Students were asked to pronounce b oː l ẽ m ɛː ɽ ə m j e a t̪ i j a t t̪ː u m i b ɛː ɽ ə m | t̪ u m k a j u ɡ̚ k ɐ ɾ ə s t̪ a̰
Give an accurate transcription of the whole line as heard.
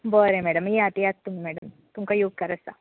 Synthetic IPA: b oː ɾ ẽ m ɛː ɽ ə m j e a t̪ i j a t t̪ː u m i m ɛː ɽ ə m | t̪ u m k a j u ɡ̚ k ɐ ɾ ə s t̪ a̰